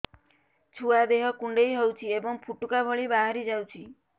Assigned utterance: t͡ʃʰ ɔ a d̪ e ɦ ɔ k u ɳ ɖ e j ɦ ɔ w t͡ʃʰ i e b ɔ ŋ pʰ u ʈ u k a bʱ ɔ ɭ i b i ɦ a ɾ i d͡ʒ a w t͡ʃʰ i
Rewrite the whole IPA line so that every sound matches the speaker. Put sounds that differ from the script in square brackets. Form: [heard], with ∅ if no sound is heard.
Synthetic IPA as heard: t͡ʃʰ [u] a d̪ e ɦ ɔ k u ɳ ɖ e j ɦ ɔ w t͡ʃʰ i e b ɔ ŋ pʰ u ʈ u k a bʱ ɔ ɭ i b [a] ɦ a ɾ i d͡ʒ a w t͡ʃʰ i